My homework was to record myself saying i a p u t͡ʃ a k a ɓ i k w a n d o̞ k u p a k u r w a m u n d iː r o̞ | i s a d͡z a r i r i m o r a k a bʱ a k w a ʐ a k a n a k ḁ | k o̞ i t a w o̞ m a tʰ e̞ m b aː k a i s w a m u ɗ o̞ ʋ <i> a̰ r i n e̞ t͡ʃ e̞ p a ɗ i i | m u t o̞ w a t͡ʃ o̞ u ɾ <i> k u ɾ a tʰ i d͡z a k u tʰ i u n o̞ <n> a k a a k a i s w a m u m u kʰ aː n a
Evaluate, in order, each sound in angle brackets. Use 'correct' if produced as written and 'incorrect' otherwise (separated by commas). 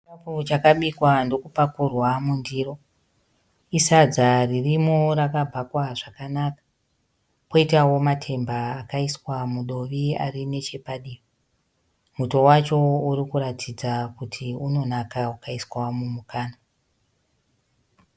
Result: correct, correct, correct